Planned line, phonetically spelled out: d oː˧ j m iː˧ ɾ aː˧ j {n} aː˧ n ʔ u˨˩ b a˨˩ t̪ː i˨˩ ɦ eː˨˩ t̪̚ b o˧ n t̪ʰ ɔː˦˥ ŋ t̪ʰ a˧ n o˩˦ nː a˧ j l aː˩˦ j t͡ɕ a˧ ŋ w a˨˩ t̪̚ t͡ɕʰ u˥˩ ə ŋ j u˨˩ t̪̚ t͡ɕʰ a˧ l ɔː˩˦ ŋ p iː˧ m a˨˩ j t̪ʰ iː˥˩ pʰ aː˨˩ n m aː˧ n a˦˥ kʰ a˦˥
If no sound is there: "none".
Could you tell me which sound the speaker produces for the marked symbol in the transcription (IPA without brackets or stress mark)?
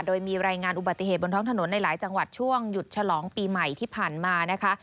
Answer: ŋ